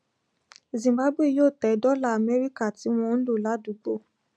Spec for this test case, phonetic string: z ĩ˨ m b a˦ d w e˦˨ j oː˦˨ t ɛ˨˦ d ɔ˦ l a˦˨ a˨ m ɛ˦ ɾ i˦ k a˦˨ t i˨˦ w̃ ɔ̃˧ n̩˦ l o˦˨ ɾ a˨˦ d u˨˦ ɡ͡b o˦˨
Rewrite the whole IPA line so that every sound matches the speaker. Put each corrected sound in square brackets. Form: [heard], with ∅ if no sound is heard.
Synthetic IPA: z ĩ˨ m b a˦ [b] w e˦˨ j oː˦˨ t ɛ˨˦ d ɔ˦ l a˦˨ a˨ m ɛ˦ ɾ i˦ k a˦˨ t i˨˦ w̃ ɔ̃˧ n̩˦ l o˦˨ [l] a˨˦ d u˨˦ ɡ͡b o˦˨